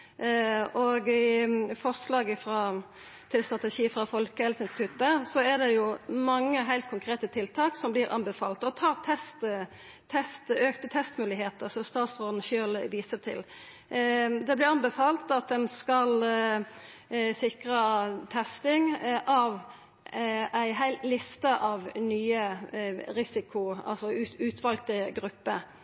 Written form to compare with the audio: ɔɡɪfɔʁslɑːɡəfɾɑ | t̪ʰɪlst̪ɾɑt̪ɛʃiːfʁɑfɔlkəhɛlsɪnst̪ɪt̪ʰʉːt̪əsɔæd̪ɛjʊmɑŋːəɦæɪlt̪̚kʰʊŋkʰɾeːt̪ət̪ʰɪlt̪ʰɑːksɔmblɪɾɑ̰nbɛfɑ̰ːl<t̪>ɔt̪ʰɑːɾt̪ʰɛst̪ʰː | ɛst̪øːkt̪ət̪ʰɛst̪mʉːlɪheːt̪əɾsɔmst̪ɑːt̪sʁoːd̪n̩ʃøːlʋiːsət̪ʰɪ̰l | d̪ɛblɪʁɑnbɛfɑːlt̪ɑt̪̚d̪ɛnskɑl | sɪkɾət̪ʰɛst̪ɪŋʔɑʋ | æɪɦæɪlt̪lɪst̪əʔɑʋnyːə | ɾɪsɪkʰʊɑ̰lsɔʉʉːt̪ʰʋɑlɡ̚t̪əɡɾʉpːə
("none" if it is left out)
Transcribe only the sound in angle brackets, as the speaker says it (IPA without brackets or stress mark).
t̪